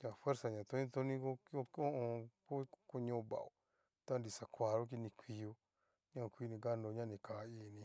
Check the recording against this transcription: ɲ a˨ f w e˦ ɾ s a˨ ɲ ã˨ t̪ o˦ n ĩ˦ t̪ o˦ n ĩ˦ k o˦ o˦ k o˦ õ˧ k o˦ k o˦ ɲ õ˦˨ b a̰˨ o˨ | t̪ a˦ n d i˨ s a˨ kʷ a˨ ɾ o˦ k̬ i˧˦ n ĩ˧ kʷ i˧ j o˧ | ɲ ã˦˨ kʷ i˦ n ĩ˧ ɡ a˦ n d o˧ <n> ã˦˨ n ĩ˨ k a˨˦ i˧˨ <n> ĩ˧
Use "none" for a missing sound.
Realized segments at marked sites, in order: ɲ, n

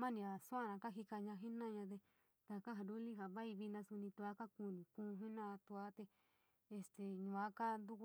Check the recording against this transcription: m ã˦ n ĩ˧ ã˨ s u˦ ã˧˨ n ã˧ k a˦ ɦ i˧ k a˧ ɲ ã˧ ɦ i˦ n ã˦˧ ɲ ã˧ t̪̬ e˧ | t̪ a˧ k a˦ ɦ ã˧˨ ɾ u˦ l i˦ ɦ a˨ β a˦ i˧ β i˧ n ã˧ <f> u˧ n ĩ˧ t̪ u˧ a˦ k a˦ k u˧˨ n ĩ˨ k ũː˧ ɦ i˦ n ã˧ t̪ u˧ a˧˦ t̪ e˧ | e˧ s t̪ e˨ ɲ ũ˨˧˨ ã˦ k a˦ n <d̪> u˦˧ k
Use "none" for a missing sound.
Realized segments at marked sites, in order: s, d̪

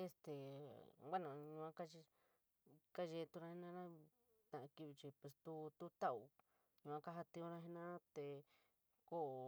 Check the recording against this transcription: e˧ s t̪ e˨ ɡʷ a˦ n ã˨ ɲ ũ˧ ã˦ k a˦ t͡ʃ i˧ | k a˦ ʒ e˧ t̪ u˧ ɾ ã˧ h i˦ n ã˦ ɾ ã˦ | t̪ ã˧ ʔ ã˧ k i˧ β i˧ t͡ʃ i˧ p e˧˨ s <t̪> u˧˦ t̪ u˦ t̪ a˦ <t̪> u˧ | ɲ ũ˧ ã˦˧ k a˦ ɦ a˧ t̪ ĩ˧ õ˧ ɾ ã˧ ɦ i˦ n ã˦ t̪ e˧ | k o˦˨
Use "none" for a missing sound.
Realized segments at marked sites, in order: t̪, none

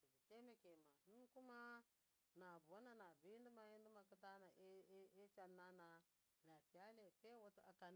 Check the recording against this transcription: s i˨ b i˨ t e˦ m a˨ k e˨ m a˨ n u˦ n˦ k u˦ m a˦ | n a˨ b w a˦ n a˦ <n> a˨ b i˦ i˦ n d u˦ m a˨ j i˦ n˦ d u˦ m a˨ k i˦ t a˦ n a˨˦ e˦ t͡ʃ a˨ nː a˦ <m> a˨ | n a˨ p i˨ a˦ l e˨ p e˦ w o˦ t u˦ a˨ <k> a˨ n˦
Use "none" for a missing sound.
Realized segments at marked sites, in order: n, n, k

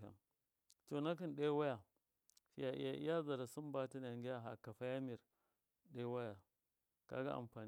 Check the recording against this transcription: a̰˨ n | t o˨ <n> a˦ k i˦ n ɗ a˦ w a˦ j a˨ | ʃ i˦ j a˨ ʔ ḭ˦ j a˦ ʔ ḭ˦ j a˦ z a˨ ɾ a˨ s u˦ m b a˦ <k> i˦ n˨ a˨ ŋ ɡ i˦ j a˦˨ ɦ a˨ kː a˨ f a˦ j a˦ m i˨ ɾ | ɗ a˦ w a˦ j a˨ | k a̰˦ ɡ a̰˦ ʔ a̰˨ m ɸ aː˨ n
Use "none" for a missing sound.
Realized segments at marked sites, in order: n, t

